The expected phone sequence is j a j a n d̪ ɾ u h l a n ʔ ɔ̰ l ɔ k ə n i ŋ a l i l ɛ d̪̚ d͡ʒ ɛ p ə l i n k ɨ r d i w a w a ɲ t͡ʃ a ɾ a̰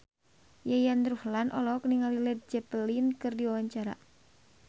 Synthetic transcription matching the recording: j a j a n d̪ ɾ u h l a n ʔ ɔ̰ l ɔ k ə n i ŋ a l i l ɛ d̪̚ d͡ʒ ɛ p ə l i n k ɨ r d i w a w a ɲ t͡ʃ a ɾ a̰